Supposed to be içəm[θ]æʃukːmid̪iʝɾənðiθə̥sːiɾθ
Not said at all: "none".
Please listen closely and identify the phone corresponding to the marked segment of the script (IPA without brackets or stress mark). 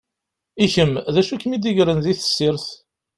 ð